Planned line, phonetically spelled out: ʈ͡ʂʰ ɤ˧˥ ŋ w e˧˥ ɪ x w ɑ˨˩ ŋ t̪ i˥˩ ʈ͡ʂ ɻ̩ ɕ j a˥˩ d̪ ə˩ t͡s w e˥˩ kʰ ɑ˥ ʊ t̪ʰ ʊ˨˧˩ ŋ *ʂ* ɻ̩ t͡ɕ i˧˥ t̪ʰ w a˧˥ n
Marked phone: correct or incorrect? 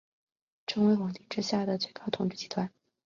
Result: incorrect: ʈ͡ʂ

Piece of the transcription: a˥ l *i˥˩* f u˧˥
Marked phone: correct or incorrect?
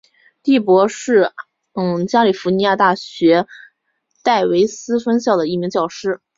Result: incorrect: i˨˩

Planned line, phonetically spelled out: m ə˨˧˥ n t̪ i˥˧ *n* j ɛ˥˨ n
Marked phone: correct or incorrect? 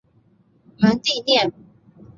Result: correct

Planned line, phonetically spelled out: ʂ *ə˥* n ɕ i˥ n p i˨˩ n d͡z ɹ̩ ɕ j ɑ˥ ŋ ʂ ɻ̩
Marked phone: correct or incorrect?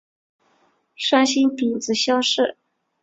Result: incorrect: a˥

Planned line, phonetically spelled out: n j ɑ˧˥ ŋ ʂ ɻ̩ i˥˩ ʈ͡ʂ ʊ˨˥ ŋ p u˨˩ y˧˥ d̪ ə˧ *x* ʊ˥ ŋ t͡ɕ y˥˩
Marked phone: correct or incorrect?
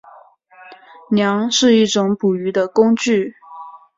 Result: incorrect: k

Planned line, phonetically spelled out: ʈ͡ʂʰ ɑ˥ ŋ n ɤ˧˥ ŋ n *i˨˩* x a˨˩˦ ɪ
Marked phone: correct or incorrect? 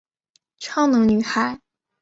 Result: incorrect: y˨˩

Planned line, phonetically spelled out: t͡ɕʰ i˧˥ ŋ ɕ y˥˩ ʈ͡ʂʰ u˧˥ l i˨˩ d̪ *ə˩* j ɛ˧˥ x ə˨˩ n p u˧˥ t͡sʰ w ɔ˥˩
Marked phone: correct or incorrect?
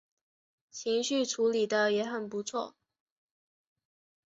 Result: incorrect: ə˦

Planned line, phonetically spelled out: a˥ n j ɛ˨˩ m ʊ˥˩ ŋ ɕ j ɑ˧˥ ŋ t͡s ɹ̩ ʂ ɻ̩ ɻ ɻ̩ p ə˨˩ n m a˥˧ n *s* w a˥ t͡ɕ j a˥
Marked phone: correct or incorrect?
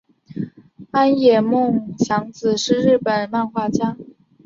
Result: incorrect: x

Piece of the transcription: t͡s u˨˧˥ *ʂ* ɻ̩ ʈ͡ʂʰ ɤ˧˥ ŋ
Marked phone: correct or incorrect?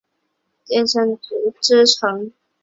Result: incorrect: ʈ͡ʂ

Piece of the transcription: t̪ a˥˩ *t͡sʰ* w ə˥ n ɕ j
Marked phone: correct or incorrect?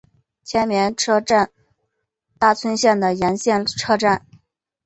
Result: correct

